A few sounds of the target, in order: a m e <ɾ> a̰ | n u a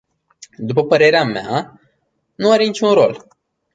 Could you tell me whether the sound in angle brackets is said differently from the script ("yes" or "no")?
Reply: yes